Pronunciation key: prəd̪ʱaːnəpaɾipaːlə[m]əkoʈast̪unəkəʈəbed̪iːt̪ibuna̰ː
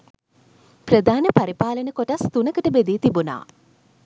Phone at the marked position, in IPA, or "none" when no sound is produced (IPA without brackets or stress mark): n